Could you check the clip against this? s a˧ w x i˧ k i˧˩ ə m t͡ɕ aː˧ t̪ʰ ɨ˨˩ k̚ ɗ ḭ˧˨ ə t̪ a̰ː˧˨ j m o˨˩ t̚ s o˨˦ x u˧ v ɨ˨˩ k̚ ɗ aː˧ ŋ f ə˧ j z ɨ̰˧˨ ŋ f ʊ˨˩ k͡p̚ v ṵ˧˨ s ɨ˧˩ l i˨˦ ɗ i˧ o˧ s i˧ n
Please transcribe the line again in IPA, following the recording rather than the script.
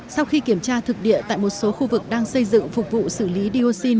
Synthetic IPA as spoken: s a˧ w x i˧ k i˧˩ ə m t͡ɕ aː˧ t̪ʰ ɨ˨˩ k̚ ɗ ḭ˧˨ ə t̪ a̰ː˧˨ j m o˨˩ t̚ s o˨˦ x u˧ v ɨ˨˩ k̚ ɗ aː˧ ŋ s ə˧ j z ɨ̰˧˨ ŋ f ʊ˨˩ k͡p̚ v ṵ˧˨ s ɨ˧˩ l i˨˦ ɗ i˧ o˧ s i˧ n

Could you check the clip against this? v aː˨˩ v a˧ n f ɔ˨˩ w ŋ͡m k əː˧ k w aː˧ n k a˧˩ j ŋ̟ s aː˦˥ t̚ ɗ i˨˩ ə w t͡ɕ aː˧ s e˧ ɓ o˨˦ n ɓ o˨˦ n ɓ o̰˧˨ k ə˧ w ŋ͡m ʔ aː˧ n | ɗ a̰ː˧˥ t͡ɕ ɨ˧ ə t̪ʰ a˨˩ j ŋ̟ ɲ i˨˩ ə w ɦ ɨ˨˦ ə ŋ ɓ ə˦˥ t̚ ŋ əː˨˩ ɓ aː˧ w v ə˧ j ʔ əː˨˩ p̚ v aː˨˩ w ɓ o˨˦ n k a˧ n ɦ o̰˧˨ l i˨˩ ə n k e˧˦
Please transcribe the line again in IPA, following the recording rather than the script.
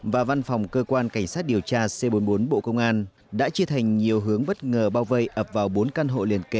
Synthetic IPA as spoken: v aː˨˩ v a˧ n f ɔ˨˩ w ŋ͡m k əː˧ k w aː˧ n k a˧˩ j ŋ̟ s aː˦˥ t̚ ɗ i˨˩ ə w t͡ɕ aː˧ s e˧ ɓ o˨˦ n ɓ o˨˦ n ɓ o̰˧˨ k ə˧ w ŋ͡m ʔ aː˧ n | ɗ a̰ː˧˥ t͡ɕ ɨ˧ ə t̪ʰ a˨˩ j ŋ̟ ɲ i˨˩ ə w ɦ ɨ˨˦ ə ŋ ɓ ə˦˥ t̚ ŋ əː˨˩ ɓ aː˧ w v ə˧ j ʔ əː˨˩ p̚ v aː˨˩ w ɓ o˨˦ n k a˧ n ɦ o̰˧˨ l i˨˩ ə n k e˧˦

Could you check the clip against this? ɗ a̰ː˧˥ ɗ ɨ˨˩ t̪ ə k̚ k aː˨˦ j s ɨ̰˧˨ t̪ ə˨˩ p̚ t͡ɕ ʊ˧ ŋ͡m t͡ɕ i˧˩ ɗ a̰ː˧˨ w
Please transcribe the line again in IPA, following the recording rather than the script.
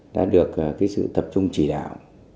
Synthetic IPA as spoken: ɗ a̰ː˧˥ ɗ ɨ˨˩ ə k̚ k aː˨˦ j s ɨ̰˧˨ t̪ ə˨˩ p̚ t͡ɕ ʊ˧ ŋ͡m t͡ɕ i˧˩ ɗ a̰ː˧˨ w

